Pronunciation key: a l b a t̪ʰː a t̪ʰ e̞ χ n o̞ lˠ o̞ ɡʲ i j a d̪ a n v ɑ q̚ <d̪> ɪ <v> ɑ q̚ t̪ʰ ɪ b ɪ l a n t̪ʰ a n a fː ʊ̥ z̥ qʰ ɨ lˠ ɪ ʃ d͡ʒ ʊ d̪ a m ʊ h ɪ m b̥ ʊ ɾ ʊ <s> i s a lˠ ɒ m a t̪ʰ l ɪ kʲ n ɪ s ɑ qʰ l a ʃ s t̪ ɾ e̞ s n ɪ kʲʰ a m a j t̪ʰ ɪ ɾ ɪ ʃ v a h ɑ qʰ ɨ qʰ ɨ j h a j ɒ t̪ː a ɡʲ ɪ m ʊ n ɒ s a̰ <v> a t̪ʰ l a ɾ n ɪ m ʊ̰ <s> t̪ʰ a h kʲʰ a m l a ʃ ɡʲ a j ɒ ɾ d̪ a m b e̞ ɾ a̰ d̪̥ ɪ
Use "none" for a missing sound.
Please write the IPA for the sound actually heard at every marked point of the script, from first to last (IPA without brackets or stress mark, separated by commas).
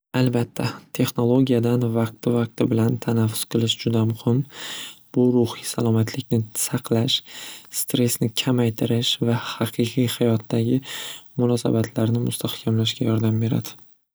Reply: t̪, v, h, b, s